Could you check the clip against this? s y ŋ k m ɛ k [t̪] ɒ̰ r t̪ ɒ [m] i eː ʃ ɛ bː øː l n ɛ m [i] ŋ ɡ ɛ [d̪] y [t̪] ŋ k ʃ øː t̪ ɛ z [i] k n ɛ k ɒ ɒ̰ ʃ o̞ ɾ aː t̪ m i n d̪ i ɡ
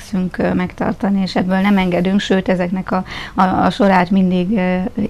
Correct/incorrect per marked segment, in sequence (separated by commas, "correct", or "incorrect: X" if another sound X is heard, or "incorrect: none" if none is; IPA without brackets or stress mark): correct, incorrect: n, incorrect: ɛ, correct, incorrect: none, incorrect: ɛ